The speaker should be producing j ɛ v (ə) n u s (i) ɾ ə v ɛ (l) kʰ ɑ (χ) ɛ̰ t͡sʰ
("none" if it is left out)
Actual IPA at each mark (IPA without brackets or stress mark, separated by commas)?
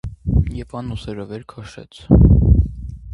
ɑ, ɛ, ɾ, ʃ